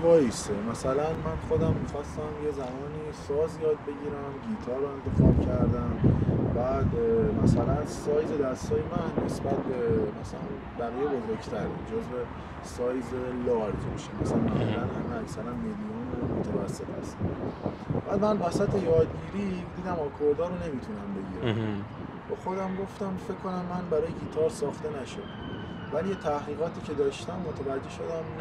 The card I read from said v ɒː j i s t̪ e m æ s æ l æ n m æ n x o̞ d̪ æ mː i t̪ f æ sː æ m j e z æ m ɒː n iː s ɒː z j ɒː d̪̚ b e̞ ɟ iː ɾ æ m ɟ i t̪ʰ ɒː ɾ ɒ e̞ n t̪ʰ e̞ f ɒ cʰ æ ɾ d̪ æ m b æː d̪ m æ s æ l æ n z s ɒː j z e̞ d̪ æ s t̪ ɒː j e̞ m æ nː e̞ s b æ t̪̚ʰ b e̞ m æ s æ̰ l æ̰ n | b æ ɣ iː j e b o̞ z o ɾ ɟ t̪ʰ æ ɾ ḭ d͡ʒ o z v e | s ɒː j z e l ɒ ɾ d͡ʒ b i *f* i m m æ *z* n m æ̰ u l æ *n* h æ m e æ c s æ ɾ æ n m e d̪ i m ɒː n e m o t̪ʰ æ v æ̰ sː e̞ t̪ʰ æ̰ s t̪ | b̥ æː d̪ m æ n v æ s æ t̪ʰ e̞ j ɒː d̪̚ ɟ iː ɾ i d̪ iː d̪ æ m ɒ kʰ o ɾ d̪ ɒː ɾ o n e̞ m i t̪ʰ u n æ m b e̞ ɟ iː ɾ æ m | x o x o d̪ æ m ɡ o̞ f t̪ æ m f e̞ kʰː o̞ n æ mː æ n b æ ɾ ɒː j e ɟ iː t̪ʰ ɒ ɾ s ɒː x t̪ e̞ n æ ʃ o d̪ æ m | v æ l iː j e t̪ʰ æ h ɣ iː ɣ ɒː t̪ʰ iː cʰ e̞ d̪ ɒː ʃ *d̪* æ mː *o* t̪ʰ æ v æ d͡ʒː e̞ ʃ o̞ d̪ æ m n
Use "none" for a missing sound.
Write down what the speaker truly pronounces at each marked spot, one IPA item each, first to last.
ʃ, s, n, t̪, o

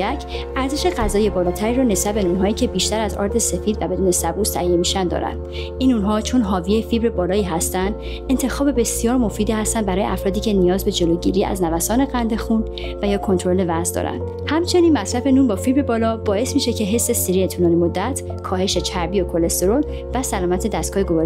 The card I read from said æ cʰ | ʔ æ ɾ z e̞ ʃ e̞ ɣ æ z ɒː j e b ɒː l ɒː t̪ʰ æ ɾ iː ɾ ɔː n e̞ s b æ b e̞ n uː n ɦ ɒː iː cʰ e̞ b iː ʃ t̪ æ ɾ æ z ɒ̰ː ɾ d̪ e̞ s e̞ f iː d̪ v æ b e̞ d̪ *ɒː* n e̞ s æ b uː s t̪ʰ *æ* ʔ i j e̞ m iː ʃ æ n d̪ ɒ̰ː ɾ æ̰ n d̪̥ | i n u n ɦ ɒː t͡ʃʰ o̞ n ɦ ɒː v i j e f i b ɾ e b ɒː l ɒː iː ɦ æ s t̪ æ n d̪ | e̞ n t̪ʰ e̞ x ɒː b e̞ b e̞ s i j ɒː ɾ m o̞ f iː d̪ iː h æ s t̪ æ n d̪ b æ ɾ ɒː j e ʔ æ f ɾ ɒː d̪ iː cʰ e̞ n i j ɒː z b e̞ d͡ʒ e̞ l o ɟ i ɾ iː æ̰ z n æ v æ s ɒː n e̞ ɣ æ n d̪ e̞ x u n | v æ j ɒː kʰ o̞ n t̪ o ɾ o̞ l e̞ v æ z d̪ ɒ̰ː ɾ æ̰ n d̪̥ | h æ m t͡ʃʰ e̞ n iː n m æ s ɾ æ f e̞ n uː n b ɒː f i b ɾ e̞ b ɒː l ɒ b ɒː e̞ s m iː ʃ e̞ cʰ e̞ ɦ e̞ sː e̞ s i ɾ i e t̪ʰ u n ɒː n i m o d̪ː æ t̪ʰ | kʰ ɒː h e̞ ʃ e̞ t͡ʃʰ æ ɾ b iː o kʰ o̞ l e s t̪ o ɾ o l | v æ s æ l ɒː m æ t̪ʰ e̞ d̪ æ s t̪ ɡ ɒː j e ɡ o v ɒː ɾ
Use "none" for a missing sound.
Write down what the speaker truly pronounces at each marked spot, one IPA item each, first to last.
uː, æ

